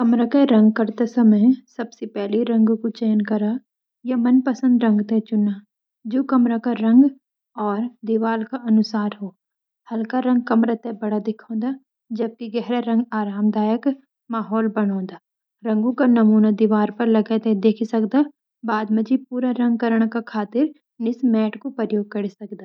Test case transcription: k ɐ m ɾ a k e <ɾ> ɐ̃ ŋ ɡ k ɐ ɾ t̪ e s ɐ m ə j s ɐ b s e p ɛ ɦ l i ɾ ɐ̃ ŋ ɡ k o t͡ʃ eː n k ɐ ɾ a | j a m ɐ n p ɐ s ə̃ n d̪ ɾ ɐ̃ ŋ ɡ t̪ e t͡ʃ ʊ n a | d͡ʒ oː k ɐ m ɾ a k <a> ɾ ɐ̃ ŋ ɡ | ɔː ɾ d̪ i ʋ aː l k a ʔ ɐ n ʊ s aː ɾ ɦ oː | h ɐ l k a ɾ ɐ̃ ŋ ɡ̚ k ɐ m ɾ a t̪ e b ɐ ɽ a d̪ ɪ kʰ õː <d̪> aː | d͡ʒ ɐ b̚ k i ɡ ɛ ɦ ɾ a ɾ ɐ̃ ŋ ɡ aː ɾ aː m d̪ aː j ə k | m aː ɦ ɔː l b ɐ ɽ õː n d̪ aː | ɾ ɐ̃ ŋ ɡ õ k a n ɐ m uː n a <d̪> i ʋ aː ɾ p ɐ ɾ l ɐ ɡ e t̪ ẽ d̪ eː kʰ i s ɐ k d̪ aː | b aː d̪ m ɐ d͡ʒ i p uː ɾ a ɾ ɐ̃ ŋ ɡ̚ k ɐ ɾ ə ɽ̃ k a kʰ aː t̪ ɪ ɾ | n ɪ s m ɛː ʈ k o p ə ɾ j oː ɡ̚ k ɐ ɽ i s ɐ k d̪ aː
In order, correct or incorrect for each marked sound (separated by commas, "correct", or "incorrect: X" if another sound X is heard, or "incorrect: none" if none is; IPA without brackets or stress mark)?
correct, correct, correct, correct